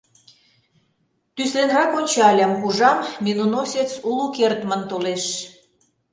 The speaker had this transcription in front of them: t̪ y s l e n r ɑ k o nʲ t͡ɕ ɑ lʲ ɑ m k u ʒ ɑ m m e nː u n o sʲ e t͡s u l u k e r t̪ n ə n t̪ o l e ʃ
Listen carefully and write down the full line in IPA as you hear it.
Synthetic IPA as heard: t̪ y s l e n r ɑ k o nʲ t͡ɕ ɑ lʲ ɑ m k u ʒ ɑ m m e n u n o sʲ e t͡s u l u k e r t̪ m ə n t̪ o l e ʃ